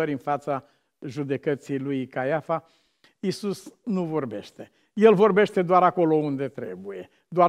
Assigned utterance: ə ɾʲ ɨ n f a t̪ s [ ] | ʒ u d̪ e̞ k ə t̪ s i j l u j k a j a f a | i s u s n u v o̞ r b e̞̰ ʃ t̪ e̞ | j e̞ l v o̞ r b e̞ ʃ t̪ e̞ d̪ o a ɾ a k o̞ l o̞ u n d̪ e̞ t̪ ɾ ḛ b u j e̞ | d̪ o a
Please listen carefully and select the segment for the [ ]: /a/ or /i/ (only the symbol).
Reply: a